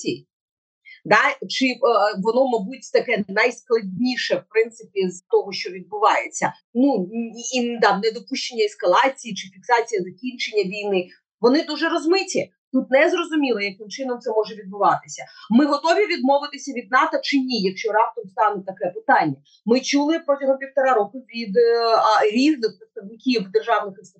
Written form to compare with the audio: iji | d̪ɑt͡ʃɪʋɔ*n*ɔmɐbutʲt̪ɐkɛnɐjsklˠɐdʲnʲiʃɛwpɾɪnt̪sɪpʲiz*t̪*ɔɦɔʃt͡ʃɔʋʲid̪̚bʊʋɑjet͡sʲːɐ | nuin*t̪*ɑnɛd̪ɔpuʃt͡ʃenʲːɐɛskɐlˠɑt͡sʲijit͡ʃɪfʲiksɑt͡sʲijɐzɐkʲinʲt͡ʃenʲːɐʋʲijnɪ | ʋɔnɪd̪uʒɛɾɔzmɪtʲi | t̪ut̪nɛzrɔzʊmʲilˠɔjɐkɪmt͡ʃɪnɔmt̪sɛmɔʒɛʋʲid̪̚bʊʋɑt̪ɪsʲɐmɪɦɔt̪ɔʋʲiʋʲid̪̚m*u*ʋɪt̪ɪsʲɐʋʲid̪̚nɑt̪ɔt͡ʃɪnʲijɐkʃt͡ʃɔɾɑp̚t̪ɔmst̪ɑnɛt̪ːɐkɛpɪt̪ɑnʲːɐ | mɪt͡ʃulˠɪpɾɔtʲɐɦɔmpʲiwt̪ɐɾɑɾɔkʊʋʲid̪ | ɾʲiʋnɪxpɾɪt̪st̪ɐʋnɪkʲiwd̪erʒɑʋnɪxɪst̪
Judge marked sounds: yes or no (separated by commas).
yes, yes, no, no